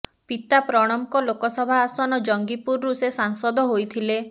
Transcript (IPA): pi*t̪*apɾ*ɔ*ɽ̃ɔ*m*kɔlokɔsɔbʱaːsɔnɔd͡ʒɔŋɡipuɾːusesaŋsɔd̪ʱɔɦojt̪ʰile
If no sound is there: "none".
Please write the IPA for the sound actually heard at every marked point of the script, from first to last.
t̪, ɔ, m

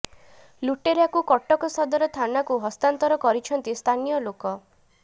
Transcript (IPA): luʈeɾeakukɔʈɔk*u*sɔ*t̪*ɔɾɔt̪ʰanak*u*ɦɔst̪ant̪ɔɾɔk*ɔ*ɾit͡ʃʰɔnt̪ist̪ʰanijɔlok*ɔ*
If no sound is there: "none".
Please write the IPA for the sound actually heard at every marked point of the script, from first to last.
ɔ, d̪, u, ɔ, ɔ

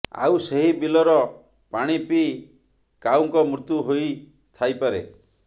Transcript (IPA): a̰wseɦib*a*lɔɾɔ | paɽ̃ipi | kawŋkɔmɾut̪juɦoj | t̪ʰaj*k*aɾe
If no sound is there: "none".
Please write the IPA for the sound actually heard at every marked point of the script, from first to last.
i, p

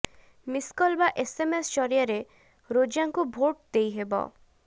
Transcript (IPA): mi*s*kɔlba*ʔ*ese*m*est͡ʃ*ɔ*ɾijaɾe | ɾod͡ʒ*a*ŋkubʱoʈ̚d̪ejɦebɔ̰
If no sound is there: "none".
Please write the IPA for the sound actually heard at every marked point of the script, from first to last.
s, ʔ, m, ɔ, a

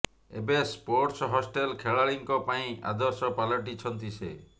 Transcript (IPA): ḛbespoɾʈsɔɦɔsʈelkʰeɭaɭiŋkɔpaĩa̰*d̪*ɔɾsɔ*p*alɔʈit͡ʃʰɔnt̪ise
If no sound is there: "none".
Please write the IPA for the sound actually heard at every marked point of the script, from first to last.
d̪, p

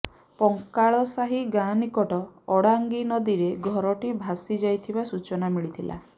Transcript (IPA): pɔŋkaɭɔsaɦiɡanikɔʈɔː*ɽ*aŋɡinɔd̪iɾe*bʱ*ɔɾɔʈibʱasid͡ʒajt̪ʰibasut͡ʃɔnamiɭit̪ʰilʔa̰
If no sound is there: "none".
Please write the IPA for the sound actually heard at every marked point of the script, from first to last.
ɽ, ɡʱ

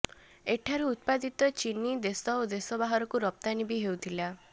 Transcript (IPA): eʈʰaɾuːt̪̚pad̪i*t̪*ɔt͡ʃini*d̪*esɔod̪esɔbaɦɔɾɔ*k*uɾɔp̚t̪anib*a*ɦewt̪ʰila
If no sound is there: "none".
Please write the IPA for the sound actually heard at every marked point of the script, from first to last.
t̪, d̪, k, i

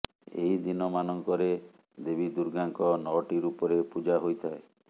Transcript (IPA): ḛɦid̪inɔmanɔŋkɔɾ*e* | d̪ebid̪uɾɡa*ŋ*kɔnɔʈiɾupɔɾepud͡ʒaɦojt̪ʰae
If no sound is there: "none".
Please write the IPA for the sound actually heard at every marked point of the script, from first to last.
e, ŋ

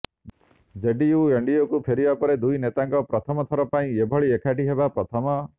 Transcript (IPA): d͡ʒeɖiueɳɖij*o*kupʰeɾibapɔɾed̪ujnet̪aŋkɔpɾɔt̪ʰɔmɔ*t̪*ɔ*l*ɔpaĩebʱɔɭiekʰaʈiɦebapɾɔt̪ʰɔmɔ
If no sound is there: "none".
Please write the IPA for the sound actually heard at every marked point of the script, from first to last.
o, t̪ʰ, ɾ

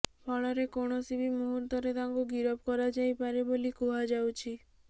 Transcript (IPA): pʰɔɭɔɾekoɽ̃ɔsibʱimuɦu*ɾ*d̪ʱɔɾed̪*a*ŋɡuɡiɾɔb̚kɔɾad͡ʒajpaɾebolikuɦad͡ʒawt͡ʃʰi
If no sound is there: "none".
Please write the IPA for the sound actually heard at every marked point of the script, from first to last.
ɾ, a

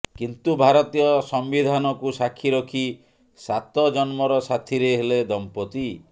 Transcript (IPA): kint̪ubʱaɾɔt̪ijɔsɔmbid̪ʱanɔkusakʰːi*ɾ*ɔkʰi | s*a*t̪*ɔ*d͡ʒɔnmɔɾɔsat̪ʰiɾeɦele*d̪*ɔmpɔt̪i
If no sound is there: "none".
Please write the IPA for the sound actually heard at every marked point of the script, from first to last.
ɾ, a, ɔ, d̪

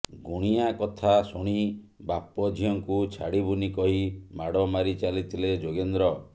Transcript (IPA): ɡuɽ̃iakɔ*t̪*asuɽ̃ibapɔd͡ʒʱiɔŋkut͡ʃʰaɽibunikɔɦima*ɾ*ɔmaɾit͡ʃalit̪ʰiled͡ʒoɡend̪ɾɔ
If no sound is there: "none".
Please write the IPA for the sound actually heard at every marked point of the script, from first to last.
t̪ʰ, ɽ

